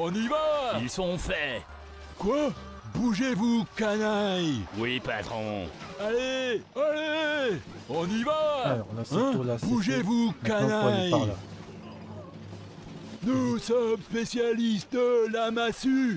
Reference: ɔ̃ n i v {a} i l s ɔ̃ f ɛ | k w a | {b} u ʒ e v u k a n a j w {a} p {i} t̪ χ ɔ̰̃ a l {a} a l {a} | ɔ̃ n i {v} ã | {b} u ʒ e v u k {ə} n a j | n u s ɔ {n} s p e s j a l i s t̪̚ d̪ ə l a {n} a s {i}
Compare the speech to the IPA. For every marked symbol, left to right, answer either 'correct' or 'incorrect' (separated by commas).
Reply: correct, correct, incorrect, incorrect, incorrect, incorrect, correct, correct, incorrect, incorrect, incorrect, incorrect